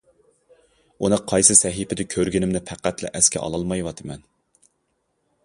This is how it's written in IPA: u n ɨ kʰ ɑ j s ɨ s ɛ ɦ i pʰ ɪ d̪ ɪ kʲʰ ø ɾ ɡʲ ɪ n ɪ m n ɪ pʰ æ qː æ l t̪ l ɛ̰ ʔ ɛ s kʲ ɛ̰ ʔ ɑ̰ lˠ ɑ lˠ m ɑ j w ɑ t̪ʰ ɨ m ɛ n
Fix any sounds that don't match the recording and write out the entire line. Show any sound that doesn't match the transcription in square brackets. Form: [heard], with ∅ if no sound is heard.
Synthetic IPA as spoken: u n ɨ [qʰ] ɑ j s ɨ s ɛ ɦ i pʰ ɪ d̪ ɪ kʲʰ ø ɾ ɡʲ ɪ n ɪ m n ɪ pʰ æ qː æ [∅] t̪ l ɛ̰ ʔ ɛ s kʲ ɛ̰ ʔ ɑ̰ lˠ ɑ lˠ m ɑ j w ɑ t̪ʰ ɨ m ɛ n